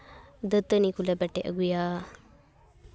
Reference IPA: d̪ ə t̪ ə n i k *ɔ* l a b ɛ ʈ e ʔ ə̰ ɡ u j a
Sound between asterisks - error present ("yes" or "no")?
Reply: yes